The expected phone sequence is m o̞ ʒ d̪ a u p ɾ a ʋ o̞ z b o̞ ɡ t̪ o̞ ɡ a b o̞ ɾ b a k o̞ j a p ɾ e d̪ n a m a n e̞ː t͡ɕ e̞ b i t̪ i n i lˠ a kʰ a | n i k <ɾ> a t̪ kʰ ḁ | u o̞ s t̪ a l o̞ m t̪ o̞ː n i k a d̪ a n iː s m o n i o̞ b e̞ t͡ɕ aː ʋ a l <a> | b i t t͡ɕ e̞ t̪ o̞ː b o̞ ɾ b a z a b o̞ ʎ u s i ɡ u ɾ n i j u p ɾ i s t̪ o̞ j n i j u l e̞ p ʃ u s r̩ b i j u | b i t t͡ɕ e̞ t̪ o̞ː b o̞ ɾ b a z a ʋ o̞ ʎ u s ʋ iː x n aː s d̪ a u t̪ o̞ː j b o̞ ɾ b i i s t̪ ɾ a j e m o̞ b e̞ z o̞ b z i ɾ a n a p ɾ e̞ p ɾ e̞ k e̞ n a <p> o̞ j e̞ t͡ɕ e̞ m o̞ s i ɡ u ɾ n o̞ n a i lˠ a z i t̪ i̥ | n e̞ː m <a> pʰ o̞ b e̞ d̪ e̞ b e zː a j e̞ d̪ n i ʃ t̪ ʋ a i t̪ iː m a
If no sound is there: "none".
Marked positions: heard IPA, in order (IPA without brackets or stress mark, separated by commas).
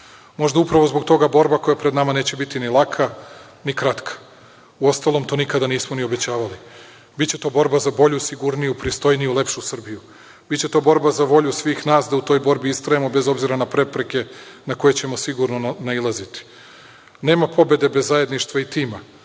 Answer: ɾ, i, k, a